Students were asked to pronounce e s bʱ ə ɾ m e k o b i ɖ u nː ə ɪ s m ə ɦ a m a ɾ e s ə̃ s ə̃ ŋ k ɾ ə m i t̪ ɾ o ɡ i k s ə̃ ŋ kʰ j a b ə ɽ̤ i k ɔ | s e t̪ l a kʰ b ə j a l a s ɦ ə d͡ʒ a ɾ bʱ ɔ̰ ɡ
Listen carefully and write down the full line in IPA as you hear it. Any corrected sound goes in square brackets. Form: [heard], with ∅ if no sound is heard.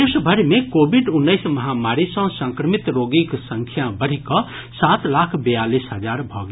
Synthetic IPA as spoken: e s bʱ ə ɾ m e k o b i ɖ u nː ə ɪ s m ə ɦ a m a ɾ [i] s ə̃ s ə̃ ŋ k ɾ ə m i t̪ ɾ o ɡ i k s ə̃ ŋ kʰ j a b ə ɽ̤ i k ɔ | s [a] t̪ l a kʰ b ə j a l [i] s ɦ ə d͡ʒ a ɾ bʱ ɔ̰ ɡ